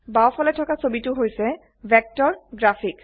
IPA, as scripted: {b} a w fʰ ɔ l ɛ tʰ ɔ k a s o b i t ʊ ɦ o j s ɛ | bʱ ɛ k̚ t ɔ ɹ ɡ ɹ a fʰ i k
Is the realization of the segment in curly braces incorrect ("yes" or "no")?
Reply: no